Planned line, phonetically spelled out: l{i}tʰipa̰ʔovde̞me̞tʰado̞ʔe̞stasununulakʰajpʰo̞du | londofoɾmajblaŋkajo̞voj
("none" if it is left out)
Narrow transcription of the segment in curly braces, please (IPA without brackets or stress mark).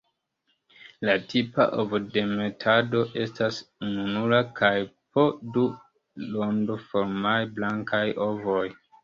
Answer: a